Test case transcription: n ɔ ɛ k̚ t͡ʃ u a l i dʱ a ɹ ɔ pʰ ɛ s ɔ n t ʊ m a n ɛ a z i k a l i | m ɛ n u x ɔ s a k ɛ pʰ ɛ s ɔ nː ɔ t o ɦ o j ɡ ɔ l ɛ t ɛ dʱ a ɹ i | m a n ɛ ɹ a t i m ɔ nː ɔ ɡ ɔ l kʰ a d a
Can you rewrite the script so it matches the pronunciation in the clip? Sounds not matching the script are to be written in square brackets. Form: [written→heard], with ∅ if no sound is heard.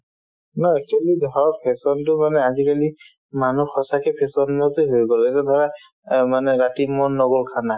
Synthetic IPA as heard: n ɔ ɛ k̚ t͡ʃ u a l i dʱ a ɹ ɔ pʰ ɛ s ɔ n t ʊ m a n ɛ a z i k a l i | m [ɛ→a] n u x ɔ s a k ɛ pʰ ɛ s ɔ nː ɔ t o ɦ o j ɡ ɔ l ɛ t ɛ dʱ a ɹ [i→a] | m a n ɛ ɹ a t i m ɔ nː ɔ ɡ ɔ l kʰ a [d→n] a